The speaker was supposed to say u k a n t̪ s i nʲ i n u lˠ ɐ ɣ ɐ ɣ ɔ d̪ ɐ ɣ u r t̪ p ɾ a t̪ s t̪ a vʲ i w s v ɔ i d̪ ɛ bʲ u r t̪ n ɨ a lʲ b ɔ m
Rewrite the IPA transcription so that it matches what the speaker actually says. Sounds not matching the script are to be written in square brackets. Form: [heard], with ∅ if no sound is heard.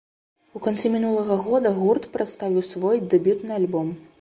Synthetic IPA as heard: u k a n t̪ s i [mʲ] i n u lˠ ɐ ɣ ɐ ɣ ɔ d̪ ɐ ɣ u r t̪ p ɾ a t̪ s t̪ a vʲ i w s v ɔ [j] d̪ ɛ bʲ u [∅] t̪ n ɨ a lʲ b ɔ m